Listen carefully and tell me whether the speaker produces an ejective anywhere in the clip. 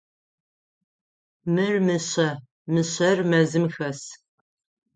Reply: no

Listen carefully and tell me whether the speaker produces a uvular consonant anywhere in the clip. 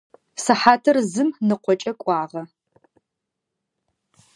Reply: yes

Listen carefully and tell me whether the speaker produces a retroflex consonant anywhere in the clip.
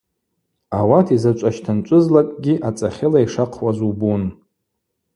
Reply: yes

